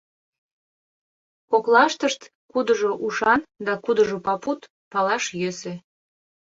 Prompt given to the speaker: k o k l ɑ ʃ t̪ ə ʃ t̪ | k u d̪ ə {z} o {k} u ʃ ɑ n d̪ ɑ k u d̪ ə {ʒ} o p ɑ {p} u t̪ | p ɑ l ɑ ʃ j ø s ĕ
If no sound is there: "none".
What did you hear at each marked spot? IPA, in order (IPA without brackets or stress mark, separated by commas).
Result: ʒ, ʔ, ʒ, p